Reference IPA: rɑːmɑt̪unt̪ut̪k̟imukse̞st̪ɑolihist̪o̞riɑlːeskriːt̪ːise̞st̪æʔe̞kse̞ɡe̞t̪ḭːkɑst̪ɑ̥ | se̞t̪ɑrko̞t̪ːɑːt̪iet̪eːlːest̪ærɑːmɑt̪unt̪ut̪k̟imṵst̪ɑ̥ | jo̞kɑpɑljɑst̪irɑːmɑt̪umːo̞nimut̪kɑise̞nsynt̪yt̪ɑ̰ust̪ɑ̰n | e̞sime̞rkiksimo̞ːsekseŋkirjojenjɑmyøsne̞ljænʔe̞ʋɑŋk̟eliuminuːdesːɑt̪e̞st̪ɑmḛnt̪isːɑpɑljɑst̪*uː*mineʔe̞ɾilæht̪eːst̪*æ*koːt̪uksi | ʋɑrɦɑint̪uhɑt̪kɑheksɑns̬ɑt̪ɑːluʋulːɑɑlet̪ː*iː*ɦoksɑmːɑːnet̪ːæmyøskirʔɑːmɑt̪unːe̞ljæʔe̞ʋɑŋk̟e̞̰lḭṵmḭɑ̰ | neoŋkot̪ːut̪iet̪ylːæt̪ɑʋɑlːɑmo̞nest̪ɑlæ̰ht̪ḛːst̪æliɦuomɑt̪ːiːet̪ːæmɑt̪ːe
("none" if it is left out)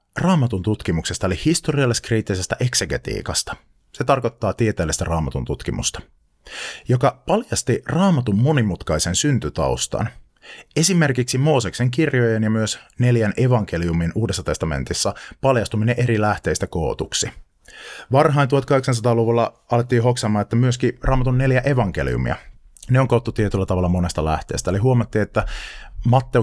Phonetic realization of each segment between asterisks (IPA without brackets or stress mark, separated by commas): u, æ, iː